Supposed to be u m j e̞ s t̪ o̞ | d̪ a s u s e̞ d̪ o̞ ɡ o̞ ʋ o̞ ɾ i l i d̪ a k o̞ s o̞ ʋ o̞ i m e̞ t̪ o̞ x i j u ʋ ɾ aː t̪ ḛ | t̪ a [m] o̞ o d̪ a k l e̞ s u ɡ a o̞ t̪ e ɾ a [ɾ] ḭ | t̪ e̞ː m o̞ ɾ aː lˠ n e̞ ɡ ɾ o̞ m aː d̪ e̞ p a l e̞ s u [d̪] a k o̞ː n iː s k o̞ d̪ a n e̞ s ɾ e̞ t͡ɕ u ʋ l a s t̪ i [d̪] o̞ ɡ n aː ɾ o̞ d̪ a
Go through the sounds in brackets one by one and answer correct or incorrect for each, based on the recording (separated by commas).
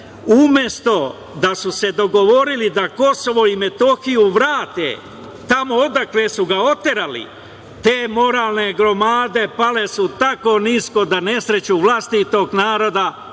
correct, incorrect, incorrect, incorrect